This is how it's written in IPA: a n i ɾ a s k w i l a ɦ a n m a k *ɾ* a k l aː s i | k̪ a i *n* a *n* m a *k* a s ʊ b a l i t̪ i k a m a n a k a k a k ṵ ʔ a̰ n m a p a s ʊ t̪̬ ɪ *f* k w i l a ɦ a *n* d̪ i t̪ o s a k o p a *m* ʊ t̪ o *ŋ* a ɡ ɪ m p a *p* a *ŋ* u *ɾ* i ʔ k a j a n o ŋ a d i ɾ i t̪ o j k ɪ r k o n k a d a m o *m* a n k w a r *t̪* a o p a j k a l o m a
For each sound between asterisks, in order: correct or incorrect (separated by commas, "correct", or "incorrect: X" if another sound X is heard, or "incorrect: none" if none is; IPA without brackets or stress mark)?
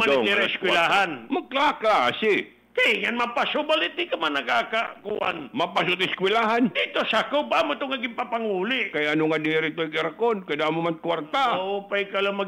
incorrect: l, incorrect: ŋ, correct, incorrect: p, incorrect: s, correct, correct, correct, correct, correct, incorrect: l, correct, correct